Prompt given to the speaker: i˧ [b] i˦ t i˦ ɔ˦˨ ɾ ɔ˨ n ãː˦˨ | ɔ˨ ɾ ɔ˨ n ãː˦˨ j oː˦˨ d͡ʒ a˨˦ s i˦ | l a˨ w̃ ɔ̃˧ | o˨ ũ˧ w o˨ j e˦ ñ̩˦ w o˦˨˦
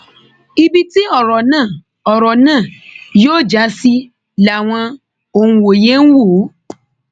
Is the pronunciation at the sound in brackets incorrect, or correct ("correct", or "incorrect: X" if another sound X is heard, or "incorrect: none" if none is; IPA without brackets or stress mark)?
correct